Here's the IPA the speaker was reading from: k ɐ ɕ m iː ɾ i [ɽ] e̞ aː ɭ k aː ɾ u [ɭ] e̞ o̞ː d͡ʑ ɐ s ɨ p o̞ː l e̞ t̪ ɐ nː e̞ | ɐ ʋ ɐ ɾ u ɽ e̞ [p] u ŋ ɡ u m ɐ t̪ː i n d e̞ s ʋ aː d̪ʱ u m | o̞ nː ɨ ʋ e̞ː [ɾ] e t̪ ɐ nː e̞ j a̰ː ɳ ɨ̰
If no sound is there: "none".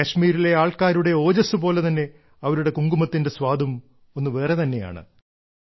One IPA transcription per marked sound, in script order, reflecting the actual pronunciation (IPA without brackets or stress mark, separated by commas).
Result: l, ɽ, k, r